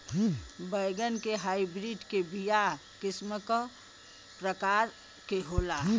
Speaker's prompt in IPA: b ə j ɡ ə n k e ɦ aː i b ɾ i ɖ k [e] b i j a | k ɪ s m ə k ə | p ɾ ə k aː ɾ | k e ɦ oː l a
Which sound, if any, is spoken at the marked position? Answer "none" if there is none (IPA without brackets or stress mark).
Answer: e